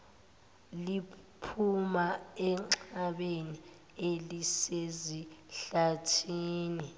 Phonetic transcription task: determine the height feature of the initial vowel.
high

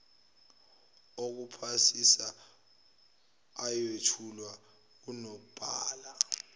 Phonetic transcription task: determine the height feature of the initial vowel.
mid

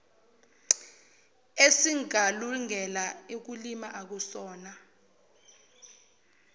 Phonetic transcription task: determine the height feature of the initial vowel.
mid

